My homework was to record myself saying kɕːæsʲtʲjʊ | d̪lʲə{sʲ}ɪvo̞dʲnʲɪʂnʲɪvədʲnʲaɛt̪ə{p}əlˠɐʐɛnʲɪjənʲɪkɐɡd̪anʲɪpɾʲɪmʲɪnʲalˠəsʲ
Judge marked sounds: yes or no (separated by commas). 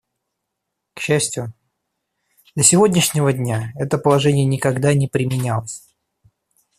yes, yes